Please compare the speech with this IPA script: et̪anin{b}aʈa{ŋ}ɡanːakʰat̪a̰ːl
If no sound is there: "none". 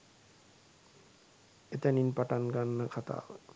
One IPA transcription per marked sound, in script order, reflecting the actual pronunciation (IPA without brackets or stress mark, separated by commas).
p, n